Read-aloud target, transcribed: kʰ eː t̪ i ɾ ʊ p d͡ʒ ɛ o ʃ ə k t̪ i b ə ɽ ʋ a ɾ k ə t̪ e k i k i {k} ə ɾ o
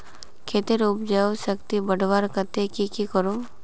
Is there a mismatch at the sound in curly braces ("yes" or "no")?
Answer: no